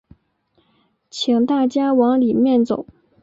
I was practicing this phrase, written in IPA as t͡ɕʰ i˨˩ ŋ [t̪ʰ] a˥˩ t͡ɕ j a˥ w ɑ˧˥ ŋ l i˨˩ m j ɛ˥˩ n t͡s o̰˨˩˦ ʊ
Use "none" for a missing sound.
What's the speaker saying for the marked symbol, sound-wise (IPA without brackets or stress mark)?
t̪